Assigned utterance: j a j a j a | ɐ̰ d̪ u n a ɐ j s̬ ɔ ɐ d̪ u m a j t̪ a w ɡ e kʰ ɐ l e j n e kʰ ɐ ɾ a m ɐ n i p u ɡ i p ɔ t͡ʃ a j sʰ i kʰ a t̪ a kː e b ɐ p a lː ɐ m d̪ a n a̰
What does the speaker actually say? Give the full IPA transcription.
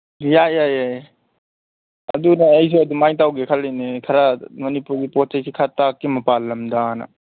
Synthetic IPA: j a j a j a | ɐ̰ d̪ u n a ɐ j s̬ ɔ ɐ d̪ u m a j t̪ a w ɡ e kʰ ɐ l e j n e kʰ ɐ ɾ a m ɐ n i p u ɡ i p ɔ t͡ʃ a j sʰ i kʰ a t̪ a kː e m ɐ p a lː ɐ m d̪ a n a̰